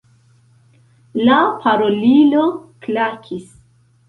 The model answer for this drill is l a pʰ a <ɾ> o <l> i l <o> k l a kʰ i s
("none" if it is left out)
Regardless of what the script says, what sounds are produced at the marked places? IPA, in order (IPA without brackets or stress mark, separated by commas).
ɾ, l, o